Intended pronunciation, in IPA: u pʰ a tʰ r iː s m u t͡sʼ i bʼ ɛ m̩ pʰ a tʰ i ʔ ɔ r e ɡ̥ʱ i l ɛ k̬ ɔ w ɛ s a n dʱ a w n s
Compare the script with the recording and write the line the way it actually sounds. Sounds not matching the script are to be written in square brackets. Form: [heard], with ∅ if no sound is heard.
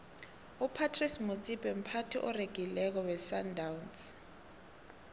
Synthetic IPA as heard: u pʰ a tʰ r [i] s m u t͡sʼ i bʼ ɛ m̩ pʰ a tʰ i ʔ ɔ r e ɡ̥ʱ i l ɛ k̬ ɔ w ɛ s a n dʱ a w n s